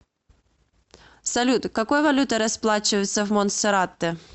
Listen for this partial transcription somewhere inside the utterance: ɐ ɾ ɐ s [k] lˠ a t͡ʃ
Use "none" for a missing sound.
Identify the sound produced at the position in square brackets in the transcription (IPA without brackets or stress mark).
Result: p